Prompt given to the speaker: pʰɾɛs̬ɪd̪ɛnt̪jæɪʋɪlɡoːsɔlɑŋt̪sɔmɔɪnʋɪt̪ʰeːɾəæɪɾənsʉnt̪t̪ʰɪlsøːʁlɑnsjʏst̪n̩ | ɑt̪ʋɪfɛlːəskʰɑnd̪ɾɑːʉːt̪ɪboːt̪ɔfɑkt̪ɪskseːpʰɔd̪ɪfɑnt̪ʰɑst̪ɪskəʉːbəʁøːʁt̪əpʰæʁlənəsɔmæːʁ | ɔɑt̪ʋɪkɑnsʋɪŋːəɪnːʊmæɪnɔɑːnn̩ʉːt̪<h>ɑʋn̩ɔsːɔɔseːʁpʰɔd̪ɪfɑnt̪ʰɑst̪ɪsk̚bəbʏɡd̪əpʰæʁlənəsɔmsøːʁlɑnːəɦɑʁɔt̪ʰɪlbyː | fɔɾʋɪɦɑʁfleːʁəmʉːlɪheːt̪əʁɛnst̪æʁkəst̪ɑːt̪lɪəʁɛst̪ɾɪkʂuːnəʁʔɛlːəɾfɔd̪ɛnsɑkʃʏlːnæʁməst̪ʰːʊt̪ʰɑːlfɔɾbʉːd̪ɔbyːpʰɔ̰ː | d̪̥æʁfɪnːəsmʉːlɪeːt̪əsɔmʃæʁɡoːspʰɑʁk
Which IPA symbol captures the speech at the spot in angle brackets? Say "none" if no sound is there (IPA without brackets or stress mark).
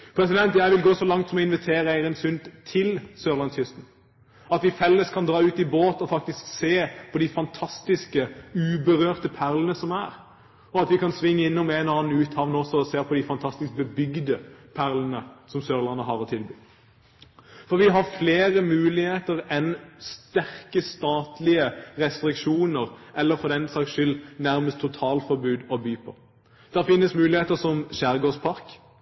h